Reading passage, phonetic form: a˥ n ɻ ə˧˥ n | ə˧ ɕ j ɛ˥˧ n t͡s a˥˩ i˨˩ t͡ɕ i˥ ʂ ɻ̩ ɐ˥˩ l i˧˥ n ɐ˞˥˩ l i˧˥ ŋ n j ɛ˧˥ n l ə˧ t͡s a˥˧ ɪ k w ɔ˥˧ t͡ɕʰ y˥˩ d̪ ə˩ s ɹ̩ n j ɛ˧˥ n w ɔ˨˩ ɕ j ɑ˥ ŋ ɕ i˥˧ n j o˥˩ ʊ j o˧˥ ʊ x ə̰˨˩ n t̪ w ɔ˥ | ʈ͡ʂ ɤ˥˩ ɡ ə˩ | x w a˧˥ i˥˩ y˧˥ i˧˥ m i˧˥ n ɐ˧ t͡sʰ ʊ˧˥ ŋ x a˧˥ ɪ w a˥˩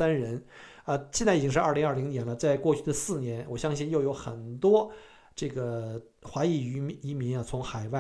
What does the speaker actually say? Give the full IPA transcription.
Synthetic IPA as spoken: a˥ n ɻ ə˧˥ n | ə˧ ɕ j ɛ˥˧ n t͡s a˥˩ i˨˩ t͡ɕ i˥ ʂ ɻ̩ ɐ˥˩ l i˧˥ ŋ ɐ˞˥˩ l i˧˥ ŋ n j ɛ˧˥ n l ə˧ t͡s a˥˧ ɪ k w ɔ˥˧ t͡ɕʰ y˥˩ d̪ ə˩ s ɹ̩ n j ɛ˧˥ n w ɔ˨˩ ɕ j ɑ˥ ŋ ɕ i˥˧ n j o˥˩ ʊ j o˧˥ ʊ x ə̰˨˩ n t̪ w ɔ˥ | ʈ͡ʂ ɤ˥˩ ɡ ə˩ | x w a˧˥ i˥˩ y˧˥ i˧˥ m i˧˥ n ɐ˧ t͡sʰ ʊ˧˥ ŋ x a˨˩ ɪ w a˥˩